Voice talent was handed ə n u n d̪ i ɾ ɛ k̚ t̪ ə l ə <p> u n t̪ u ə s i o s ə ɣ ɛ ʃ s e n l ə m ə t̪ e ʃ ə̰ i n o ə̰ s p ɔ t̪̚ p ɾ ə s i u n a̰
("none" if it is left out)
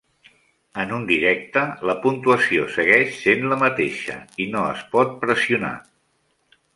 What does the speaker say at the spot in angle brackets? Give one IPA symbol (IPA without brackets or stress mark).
p